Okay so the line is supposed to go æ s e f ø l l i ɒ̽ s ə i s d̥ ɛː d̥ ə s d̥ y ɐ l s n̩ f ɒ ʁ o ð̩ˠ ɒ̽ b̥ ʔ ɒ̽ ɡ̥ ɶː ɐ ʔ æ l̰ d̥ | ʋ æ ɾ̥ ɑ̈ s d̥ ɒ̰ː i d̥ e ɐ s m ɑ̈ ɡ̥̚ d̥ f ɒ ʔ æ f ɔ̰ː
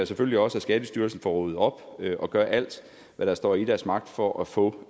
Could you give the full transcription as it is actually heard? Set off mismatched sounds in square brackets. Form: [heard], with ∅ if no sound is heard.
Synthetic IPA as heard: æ s e f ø l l i ɒ̽ s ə [æ] s [ɡ̥] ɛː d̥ ə s d̥ y ɐ l s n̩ f ɒ ʁ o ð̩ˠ ɒ̽ b̥ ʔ ɒ̽ ɡ̥ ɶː ɐ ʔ æ l̰ d̥ | ʋ æ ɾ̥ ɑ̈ s d̥ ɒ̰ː i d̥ [æ] ɐ s m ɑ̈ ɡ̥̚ d̥ f ɒ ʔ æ f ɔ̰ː